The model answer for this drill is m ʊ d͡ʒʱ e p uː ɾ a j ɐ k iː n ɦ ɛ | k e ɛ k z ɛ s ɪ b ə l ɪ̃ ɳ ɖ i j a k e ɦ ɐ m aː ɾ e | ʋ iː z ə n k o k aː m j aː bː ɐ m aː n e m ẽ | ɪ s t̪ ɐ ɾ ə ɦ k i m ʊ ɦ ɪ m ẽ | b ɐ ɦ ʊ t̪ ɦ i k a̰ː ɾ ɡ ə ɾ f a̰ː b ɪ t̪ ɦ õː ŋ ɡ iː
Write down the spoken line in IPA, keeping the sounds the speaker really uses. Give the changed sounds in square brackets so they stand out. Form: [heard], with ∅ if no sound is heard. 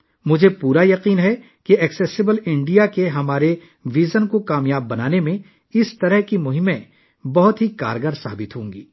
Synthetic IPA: m ʊ d͡ʒʱ e p uː ɾ a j ɐ [q] iː n ɦ ɛ | k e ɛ k [s] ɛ s ɪ b ə l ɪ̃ ɳ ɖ i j a k e ɦ ɐ m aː ɾ e | ʋ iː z ə n k o k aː m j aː bː ɐ [n] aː n e m ẽ | ɪ s t̪ ɐ ɾ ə ɦ k i m ʊ ɦ ɪ m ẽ | b ɐ ɦ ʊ t̪ ɦ i k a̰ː ɾ ɡ ə ɾ [s] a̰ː b ɪ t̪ ɦ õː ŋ ɡ iː